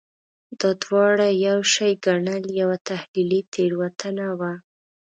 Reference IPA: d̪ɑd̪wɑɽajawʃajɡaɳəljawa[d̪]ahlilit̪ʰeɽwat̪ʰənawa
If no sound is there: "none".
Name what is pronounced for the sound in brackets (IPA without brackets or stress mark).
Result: t̪